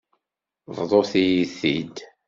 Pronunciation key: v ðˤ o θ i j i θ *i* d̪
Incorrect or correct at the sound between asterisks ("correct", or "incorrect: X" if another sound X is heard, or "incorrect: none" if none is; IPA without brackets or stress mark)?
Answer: correct